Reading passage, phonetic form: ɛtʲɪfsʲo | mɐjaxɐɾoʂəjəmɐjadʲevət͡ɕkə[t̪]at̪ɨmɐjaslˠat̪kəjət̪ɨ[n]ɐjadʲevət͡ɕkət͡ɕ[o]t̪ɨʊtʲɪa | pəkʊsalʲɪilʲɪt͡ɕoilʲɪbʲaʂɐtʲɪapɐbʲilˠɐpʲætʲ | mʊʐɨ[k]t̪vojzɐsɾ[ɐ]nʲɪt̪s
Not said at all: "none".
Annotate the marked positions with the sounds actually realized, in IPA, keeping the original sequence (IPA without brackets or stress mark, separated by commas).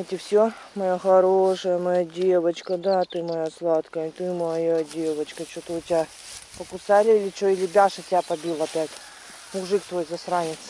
d̪, m, o, k, a